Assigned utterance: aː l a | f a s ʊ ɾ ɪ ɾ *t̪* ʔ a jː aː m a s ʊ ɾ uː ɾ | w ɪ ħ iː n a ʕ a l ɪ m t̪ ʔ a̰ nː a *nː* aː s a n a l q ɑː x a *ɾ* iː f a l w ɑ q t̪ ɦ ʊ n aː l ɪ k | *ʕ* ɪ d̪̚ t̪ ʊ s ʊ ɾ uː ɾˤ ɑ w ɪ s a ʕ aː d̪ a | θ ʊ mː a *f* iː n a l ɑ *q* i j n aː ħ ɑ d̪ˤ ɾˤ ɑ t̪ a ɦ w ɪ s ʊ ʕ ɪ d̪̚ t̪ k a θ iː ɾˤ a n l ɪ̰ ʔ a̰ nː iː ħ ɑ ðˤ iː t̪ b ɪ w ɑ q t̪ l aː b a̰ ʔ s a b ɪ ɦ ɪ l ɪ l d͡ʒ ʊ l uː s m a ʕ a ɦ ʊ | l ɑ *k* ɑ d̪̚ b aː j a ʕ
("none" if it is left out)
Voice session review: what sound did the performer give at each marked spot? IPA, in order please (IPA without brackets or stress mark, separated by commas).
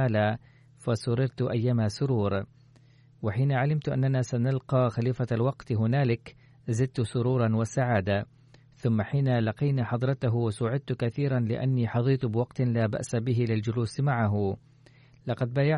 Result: t̪, n, l, z, ħ, q, q